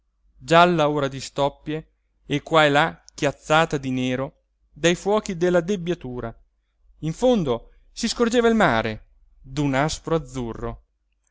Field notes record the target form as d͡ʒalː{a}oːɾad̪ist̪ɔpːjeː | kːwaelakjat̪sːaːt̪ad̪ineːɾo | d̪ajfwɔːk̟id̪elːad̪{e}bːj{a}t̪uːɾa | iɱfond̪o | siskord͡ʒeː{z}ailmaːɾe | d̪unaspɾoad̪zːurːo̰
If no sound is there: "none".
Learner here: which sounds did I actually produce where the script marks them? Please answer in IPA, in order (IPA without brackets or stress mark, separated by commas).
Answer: a, e, a, v